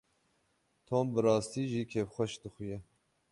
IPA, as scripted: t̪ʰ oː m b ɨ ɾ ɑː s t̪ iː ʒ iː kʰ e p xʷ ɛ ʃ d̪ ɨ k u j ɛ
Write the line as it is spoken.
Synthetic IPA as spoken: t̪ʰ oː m b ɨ ɾ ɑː s t̪ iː ʒ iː kʰ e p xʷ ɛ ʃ d̪ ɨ x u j ɛ